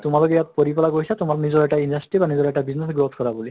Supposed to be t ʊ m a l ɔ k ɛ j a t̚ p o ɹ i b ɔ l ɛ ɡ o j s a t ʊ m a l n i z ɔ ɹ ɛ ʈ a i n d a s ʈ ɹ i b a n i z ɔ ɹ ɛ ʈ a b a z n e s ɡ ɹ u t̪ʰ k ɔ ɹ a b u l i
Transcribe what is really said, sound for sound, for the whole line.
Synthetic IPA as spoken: t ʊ m a l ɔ k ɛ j a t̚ p o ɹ i p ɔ l a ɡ o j s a t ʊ m a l n i z ɔ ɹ ɛ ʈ a i n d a s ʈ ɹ i b a n i z ɔ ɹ ɛ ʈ a b i z n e s ɡ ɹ o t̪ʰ k ɔ ɹ a b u l i

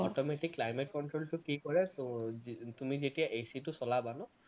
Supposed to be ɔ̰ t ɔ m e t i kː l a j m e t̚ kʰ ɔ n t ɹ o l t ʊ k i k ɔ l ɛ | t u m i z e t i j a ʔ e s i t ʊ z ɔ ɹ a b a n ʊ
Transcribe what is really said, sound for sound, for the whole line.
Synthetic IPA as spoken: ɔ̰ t ɔ m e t i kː l a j m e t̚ k ɔ n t ɹ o l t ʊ k i k ɔ ɹ ɛ | t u m i z e t i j a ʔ e s i t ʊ s ɔ l a b a n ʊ

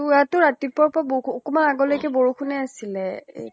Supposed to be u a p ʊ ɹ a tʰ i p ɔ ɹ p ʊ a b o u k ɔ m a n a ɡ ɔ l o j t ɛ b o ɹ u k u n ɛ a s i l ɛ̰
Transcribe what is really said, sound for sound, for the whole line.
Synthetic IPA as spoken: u a t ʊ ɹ a t i p ɔ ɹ p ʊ a b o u k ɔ m a n a ɡ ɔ l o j k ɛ b o ɹ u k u n ɛ a s i l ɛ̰

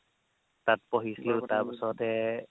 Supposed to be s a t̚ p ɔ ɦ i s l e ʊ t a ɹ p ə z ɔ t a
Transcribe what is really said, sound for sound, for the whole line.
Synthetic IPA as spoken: t a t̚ p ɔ ɦ i s l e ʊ t a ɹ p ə s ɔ t ɛ

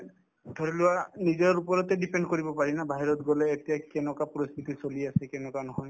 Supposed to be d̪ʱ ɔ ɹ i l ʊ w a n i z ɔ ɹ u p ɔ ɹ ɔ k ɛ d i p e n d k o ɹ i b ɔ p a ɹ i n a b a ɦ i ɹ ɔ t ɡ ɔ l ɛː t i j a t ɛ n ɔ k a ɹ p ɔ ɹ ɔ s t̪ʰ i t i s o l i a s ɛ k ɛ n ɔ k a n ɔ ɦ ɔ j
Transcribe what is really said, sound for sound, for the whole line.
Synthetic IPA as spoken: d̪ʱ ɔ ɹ i l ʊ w a n i z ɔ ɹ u p ɔ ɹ ɔ t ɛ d i p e n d k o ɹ i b ɔ p a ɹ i n a b a ɦ i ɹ ɔ t ɡ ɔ l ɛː t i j a k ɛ n ɔ k a p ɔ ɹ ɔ s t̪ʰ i t i s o l i a s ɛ k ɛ n ɔ k a n ɔ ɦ ɔ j

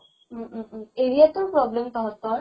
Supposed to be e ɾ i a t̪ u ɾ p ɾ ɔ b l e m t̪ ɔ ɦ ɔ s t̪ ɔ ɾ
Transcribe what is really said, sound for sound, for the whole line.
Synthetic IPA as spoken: e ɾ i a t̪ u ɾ p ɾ ɔ b l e m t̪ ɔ ɦ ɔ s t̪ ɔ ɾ

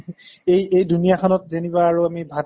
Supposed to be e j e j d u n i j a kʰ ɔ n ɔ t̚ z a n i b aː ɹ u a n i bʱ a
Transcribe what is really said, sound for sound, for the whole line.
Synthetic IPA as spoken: e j e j d u n i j a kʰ ɔ n ɔ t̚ z e n i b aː ɹ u a m i bʱ a

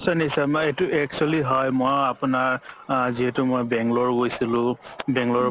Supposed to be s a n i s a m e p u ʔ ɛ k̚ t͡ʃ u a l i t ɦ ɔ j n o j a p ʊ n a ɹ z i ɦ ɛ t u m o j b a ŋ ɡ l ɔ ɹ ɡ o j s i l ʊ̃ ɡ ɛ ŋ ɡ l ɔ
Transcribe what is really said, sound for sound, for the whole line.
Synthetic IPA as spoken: s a n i s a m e t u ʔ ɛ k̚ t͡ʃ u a l i ɦ ɔ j m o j a p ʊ n a ɹ z i ɦ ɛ t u m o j b ɛ ŋ ɡ l ɔ ɹ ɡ o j s i l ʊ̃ b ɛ ŋ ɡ l ɔ

